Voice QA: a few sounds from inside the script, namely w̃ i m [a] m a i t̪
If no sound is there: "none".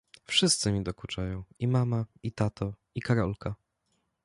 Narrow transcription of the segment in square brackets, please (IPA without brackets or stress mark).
a